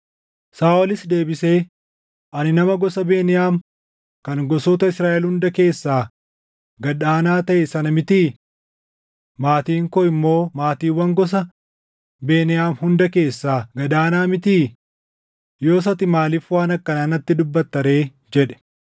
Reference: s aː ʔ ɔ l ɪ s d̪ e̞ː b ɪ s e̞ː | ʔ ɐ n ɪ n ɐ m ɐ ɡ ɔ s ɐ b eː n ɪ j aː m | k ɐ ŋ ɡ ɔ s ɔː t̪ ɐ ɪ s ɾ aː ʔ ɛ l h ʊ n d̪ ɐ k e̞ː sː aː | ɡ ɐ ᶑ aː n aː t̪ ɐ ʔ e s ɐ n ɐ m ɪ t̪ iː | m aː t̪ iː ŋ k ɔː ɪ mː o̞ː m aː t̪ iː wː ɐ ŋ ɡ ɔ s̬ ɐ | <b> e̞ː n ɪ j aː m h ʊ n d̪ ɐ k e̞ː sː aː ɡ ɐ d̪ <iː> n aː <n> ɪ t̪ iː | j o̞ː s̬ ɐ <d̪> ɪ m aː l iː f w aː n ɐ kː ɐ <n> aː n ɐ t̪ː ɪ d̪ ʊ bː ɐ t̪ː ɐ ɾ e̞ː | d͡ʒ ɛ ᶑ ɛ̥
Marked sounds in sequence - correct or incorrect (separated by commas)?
correct, incorrect, incorrect, incorrect, correct